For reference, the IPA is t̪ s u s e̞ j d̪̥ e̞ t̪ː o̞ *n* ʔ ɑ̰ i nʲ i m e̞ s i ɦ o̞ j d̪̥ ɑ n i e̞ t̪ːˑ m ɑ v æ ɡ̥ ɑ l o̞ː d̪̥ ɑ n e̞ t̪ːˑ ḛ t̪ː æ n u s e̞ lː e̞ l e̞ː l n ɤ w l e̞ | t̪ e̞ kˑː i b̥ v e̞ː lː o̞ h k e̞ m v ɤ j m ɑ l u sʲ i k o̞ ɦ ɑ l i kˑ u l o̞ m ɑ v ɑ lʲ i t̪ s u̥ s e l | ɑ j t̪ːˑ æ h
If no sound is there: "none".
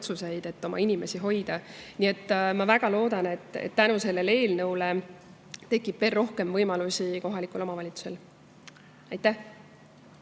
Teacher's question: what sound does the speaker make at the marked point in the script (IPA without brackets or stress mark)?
m